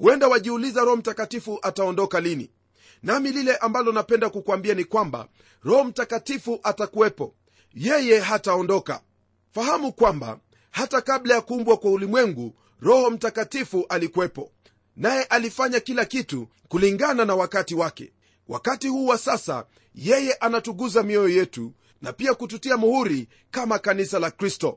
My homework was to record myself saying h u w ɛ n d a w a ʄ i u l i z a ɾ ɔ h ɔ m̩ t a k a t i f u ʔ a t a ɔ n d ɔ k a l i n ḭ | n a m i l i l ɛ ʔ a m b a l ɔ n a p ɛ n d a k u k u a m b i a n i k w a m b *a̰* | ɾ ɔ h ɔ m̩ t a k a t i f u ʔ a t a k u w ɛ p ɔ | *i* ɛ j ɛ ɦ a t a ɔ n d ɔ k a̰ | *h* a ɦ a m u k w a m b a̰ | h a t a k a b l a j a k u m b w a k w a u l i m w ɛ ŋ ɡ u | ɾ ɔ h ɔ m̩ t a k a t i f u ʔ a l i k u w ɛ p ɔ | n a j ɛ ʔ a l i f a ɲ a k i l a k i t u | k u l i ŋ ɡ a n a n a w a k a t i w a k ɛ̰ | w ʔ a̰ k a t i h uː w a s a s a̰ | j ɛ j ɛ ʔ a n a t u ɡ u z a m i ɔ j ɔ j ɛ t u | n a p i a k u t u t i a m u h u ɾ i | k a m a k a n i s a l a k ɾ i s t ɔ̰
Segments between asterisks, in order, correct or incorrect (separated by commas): correct, incorrect, incorrect